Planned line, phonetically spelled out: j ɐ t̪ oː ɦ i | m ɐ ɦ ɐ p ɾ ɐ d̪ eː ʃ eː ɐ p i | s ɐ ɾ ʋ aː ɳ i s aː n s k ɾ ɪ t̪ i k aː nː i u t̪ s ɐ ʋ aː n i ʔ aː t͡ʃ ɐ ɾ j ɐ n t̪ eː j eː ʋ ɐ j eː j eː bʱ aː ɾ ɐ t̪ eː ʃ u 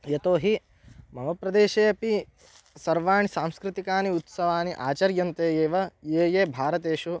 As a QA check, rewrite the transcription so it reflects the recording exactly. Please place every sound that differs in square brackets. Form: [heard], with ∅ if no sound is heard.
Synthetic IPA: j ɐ t̪ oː ɦ i | m ɐ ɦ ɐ p ɾ ɐ d̪ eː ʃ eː ɐ p i | s ɐ ɾ ʋ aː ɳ i s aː [m] s k ɾ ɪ t̪ i k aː [n] i u t̪ s ɐ ʋ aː n i ʔ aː t͡ʃ ɐ ɾ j ɐ n t̪ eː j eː ʋ ɐ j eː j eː bʱ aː ɾ ɐ t̪ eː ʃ u